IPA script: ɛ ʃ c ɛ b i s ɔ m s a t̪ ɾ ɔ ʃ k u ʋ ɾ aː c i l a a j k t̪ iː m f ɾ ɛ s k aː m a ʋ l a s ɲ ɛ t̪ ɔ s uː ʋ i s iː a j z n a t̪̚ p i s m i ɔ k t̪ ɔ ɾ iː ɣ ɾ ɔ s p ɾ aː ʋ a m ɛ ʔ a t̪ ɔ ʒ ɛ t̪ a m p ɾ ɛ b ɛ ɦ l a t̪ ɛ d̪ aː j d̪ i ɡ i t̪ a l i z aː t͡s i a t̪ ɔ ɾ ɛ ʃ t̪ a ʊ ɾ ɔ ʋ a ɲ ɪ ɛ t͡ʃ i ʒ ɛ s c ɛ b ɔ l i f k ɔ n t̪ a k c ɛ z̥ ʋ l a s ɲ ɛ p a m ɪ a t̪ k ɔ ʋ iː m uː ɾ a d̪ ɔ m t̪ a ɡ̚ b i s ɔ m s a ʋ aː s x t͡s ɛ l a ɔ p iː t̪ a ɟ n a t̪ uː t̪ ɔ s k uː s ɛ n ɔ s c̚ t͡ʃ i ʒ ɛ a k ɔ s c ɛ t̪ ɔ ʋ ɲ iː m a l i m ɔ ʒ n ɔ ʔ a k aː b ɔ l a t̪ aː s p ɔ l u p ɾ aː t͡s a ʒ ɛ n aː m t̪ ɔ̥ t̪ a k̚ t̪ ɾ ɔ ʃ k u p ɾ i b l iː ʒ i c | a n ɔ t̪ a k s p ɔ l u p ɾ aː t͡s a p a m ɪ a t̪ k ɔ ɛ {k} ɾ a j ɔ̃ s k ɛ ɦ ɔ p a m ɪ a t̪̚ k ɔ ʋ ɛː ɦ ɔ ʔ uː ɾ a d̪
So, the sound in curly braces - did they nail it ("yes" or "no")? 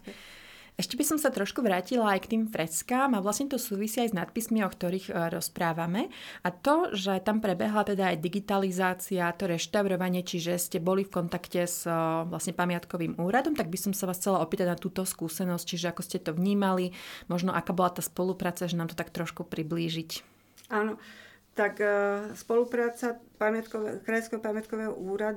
yes